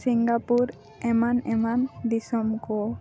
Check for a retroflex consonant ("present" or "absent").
absent